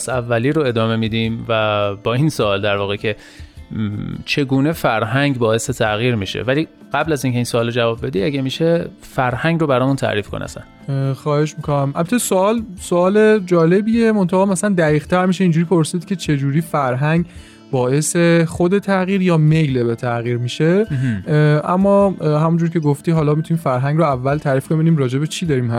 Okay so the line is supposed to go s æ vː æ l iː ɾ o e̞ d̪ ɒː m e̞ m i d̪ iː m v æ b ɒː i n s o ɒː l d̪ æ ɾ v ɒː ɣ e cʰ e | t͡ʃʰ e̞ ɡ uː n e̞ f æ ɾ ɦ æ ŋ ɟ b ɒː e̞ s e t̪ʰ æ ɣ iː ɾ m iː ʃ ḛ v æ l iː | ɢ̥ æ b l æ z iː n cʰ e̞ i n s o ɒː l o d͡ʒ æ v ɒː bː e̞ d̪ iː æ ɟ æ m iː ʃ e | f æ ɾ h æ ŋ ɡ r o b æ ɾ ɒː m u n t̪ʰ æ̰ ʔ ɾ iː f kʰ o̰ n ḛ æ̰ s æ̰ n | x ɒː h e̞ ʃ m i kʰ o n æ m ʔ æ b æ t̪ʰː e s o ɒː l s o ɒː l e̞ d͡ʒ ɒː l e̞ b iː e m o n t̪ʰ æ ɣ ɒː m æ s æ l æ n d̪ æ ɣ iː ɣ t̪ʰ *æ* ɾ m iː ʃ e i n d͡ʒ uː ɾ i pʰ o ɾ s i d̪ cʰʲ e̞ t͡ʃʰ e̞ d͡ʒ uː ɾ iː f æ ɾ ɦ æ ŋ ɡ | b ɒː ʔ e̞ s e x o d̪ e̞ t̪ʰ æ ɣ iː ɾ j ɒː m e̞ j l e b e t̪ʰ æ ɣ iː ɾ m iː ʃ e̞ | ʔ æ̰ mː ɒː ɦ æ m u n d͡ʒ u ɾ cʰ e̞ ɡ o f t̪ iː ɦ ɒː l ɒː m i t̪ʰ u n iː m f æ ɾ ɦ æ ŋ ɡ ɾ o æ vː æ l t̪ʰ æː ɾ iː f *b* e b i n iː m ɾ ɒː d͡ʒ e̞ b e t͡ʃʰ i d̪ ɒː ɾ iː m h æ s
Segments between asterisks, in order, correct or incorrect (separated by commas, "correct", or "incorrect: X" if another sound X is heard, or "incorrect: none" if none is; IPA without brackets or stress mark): correct, correct